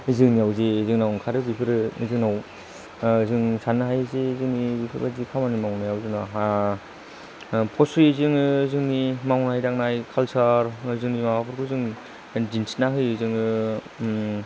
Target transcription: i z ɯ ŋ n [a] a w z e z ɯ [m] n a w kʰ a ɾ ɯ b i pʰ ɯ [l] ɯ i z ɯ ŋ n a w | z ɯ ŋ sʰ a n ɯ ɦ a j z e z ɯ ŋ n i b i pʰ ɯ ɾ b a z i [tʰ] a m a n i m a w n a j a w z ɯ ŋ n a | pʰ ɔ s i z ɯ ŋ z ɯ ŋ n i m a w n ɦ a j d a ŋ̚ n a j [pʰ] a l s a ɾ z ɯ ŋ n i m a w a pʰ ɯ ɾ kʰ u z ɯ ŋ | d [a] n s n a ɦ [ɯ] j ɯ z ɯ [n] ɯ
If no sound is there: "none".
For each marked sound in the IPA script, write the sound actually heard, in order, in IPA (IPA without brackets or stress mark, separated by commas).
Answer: i, ŋ, ɾ, kʰ, kʰ, i, ɯ, ŋ